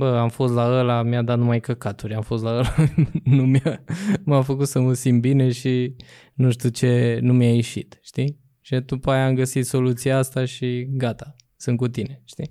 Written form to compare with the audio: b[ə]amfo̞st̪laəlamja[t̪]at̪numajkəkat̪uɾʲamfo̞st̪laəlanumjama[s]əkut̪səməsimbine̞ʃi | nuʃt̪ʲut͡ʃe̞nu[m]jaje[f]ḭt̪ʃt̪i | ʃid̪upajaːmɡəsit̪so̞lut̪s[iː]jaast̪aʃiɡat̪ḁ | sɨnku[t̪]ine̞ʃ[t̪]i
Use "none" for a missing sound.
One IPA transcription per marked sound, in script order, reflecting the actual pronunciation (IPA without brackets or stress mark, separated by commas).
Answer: ə, d̪, f, m, ʃ, i, t̪, t̪